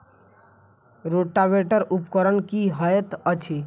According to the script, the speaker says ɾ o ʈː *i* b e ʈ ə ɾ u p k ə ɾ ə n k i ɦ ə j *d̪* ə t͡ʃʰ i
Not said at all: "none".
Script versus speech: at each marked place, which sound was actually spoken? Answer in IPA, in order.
a, t̪

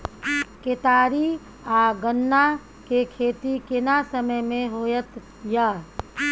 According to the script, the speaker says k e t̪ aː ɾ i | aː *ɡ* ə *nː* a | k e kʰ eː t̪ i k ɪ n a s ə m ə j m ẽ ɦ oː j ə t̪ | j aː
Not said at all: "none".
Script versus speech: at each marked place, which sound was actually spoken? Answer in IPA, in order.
ɡ, nː

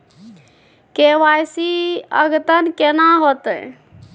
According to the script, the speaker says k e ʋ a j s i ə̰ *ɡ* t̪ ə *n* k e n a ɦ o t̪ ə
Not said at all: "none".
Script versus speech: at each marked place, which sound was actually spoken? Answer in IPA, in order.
ɡ, n

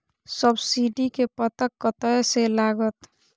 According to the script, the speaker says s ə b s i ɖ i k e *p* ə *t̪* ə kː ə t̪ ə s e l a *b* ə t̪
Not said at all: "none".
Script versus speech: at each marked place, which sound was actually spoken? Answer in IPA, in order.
p, t̪, ɡ

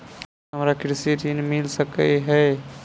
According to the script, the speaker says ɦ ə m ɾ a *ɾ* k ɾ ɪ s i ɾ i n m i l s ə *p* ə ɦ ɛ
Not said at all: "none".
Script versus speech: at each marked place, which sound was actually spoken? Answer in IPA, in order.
none, k

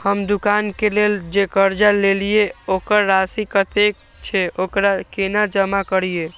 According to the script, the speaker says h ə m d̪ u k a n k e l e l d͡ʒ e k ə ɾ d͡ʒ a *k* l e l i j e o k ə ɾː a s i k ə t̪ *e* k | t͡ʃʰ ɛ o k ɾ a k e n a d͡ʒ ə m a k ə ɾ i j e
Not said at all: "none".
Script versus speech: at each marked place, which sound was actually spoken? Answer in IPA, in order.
none, e

